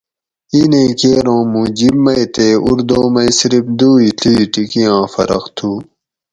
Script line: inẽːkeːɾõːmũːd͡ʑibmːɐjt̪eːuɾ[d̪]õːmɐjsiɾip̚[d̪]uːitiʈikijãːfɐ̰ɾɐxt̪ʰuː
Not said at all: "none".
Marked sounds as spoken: d̪, d̪

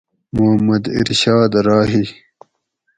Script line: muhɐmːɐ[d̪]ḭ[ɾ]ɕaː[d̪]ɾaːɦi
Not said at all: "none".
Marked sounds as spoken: d̪, ɾ, d̪

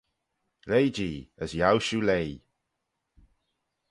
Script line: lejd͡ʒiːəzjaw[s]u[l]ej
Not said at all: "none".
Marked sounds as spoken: ʃ, l

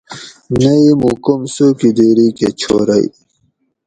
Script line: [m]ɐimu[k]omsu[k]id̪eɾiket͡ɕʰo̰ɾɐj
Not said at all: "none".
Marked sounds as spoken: n, k, k

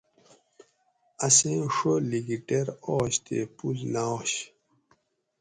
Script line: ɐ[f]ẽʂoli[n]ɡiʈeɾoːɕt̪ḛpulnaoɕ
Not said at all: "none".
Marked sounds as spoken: s, none

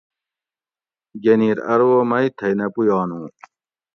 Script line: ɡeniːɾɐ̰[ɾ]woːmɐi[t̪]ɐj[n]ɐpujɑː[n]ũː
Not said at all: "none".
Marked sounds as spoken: ɾ, t̪ʰ, n, n

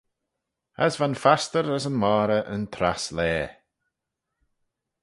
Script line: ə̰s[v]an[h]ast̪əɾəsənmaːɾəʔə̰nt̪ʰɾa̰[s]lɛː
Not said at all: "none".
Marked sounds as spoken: v, f, s

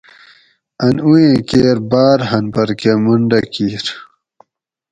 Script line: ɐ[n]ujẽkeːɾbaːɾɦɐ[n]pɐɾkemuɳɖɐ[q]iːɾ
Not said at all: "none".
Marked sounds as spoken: n, n, k

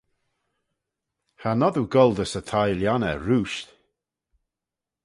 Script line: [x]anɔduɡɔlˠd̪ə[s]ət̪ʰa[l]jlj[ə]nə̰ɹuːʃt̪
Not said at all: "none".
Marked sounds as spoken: h, s, none, a

